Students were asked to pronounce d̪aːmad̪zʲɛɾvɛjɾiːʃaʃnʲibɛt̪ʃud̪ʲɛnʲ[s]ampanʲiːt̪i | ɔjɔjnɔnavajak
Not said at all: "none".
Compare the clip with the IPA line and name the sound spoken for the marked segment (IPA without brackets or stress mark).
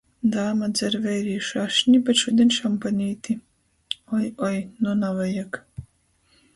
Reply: ʃ